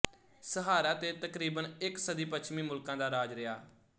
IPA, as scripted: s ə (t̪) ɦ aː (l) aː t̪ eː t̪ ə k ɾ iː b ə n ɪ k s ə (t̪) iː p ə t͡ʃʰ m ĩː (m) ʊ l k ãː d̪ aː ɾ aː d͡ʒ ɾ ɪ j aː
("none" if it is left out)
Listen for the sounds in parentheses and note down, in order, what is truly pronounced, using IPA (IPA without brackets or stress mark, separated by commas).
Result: none, ɾ, d̪, m